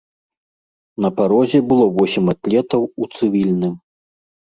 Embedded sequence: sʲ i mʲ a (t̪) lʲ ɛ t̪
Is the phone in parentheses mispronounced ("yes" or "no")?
no